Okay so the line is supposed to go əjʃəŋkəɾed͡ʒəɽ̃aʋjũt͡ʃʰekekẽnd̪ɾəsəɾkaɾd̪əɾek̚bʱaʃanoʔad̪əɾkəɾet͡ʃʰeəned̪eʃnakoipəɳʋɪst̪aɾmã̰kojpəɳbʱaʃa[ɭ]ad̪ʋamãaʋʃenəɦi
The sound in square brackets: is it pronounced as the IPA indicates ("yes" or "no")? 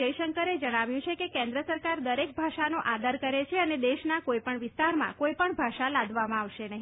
no